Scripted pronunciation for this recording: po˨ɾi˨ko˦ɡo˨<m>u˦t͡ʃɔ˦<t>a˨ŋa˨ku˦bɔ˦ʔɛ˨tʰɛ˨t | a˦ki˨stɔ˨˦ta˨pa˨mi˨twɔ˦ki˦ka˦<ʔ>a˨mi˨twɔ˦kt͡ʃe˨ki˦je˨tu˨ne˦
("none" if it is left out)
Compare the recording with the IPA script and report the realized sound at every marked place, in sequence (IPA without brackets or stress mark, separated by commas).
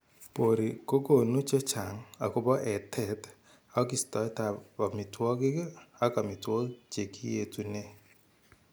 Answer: n, t͡ʃ, k